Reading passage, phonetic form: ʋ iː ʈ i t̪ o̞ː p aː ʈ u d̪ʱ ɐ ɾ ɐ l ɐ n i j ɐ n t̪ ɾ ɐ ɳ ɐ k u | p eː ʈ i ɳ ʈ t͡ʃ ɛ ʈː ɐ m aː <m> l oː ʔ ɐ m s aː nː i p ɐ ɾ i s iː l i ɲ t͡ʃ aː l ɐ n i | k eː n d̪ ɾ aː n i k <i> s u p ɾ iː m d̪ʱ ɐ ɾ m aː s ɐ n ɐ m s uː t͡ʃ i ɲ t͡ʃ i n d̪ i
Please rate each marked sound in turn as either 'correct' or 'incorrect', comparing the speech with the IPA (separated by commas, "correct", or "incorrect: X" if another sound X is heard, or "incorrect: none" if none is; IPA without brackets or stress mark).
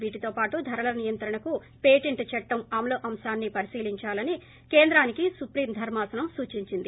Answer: correct, correct